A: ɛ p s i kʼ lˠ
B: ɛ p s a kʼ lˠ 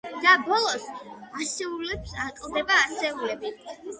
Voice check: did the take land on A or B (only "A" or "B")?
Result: B